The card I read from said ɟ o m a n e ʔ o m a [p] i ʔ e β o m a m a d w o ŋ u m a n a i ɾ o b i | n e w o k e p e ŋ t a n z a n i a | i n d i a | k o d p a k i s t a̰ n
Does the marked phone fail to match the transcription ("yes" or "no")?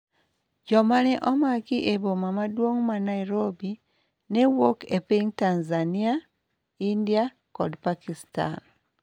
yes